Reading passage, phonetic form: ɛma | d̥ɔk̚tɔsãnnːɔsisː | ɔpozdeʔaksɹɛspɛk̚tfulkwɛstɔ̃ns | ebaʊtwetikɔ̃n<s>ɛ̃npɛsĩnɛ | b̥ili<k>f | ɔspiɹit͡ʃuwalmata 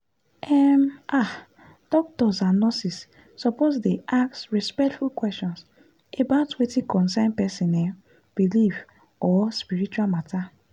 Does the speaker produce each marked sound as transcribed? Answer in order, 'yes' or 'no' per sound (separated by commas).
yes, no